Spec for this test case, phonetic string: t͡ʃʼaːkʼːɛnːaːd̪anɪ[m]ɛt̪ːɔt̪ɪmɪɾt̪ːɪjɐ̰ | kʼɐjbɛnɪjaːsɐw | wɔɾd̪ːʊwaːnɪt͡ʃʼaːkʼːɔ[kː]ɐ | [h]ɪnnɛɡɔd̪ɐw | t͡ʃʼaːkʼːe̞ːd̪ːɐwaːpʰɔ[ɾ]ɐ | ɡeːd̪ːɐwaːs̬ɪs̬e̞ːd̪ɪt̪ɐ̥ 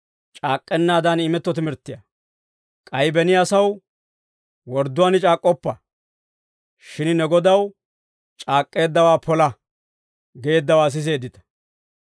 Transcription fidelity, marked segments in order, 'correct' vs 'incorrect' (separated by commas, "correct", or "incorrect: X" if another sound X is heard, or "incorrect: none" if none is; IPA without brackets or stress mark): correct, incorrect: pː, incorrect: ʃ, incorrect: l